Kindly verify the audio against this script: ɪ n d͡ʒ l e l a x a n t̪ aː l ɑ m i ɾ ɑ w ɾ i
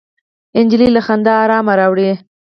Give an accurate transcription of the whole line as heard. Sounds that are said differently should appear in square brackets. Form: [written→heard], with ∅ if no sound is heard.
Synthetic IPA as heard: ɪ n d͡ʒ l [e→i] l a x a n [t̪→d̪] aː [l→ɾ] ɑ m [i→a] ɾ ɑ w [ɾ→ɽ] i